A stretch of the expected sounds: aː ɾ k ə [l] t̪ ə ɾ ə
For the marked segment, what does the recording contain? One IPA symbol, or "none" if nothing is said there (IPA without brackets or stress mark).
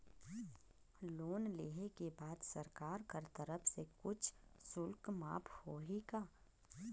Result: ɾ